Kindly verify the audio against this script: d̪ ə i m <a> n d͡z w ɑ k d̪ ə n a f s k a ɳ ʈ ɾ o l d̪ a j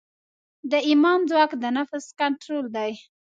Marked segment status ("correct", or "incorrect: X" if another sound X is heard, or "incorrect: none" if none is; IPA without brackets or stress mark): incorrect: ɑ